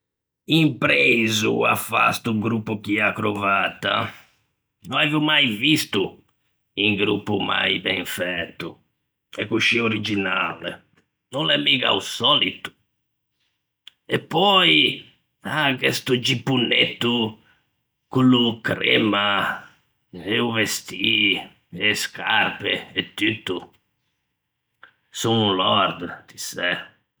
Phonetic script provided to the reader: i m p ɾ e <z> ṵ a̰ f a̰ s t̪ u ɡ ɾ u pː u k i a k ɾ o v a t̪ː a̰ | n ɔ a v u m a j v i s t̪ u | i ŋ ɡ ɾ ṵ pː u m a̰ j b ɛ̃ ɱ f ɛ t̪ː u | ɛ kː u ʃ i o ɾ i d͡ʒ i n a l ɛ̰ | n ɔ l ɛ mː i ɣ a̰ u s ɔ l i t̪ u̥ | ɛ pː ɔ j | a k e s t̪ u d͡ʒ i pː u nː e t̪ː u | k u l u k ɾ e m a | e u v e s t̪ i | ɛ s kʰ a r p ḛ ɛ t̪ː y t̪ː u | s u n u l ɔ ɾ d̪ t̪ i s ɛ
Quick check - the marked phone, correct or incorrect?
correct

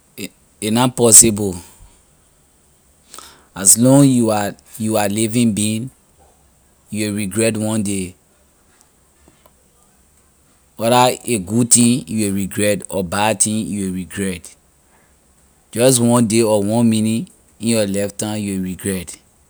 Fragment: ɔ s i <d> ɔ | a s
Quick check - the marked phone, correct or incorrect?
incorrect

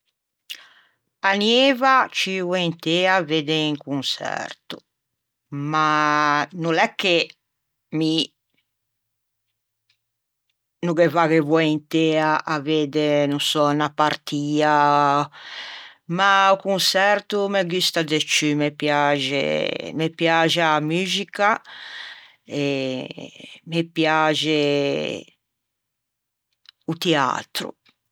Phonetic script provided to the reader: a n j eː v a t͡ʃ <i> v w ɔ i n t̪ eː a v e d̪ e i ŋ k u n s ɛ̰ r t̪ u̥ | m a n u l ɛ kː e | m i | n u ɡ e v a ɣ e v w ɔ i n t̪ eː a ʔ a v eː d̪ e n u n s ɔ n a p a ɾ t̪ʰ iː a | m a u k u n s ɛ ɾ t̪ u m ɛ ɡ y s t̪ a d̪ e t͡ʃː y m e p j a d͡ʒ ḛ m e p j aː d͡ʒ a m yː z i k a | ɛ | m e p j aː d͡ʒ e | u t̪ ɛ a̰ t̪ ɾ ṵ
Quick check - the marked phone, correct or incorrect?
correct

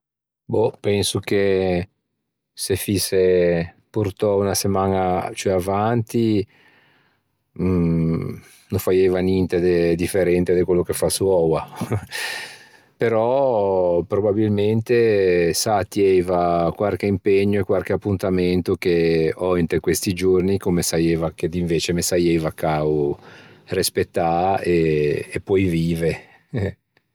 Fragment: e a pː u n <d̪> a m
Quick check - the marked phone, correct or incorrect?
incorrect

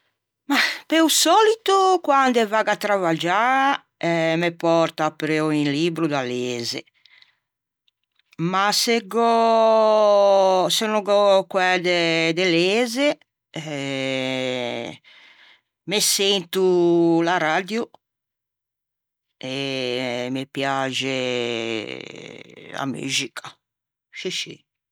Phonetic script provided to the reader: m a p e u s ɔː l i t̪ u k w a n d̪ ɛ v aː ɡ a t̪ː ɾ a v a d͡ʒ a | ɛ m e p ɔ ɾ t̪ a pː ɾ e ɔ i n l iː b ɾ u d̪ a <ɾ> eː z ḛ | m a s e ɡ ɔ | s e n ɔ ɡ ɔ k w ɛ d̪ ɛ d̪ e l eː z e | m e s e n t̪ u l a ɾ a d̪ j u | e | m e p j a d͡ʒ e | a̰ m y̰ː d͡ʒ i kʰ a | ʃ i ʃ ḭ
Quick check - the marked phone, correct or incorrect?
incorrect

